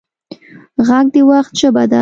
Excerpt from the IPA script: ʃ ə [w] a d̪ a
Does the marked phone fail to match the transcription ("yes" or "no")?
yes